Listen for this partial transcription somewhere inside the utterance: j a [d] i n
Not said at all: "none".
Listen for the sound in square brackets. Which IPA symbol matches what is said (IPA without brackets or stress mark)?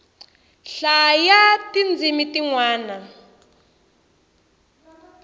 t